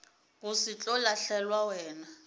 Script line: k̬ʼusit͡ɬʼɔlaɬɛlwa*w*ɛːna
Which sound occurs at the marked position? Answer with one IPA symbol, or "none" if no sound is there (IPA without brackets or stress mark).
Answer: w